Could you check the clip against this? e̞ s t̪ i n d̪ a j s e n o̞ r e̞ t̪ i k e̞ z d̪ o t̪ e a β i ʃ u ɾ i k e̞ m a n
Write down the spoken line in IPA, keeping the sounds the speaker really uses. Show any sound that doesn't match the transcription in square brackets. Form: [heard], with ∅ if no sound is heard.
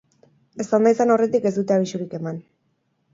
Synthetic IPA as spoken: e̞ s t̪ [a] n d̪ a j s [a] n o̞ r e̞ t̪ i k e̞ z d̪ [u] t̪ e a β i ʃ u ɾ i k e̞ m a n

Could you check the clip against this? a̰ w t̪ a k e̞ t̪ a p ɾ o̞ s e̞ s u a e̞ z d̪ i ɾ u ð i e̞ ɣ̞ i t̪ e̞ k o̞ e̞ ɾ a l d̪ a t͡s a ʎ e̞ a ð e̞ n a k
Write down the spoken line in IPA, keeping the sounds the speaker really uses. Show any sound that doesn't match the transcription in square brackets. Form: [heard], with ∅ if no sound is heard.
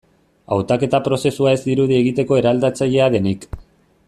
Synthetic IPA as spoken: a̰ w t̪ a k e̞ t̪ a p ɾ o̞ s e̞ s u a e̞ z d̪ i ɾ u ð i e̞ ɣ̞ i t̪ e̞ k o̞ e̞ ɾ a l d̪ a t͡s a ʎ e̞ a ð e̞ n [i] k

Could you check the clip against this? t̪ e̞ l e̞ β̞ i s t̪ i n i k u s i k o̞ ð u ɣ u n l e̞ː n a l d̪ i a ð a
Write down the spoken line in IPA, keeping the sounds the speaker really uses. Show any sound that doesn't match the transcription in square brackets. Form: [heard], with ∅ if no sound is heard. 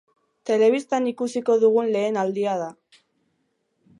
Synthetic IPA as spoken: t̪ e̞ l e̞ β̞ i s t̪ [a] n i k u s i k o̞ ð u ɣ u n l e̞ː n a l d̪ i a ð a

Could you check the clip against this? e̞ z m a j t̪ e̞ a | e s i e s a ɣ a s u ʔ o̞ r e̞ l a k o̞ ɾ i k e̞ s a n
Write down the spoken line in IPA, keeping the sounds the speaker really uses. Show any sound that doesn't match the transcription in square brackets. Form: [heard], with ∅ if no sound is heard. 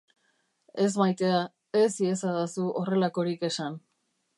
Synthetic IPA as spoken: e̞ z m a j t̪ e̞ a | e s i e s a [ð] a s u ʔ o̞ r e̞ l a k o̞ ɾ i k e̞ s a n

